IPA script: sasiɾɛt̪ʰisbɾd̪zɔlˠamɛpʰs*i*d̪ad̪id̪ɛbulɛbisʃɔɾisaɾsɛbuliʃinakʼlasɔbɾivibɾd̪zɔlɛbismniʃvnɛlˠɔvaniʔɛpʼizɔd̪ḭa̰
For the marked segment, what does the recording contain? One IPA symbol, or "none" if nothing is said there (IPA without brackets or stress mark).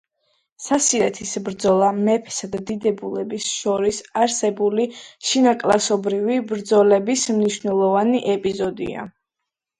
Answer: a